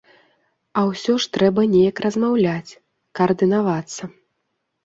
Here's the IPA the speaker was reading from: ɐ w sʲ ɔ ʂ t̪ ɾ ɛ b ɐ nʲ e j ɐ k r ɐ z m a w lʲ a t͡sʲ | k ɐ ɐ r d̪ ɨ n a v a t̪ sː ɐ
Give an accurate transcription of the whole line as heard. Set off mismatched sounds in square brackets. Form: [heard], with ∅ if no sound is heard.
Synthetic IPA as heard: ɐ w sʲ ɔ ʂ t̪ ɾ ɛ b ɐ nʲ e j ɐ k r ɐ z m a w lʲ a t͡sʲ | k ɐ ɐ r d̪ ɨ n a v a t̪ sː ɐ